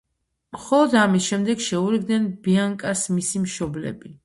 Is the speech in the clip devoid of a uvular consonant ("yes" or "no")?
no